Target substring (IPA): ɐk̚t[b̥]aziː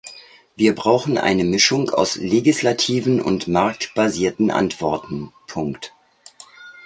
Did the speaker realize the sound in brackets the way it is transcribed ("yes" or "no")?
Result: yes